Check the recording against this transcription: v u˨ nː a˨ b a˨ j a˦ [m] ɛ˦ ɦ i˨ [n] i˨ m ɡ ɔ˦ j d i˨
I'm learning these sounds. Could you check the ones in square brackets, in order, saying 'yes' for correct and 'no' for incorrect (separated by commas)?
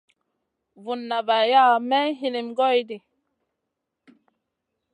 yes, yes